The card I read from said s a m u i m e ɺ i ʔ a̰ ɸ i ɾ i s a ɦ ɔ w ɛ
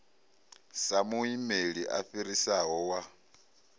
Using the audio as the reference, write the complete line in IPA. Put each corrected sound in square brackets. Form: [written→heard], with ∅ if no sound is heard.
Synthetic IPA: s a m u i m e ɺ i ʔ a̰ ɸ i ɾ i s a ɦ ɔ w [ɛ→a]